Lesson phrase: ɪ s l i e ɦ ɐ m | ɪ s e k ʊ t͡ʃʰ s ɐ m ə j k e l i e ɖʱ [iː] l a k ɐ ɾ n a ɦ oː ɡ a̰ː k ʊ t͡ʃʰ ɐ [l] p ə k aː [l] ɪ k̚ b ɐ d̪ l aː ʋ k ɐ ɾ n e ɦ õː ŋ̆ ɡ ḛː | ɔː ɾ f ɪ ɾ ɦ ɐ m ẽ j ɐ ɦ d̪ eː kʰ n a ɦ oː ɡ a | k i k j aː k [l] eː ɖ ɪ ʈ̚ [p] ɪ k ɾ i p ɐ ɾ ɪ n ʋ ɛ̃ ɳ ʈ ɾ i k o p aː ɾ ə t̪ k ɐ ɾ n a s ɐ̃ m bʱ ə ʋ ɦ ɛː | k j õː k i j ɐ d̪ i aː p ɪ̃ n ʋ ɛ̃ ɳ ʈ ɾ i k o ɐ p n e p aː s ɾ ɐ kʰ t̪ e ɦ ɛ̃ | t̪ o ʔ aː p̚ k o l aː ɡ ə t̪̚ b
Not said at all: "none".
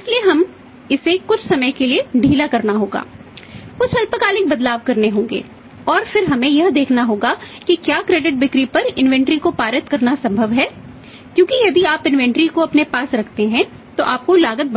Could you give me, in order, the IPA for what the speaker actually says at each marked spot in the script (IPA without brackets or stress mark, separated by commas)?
iː, l, l, ɾ, b